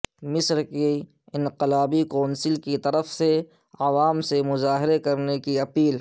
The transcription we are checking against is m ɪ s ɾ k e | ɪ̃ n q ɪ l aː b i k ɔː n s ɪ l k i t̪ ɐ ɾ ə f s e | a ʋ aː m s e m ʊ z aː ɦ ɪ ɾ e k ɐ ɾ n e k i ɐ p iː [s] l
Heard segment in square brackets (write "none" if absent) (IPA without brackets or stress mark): none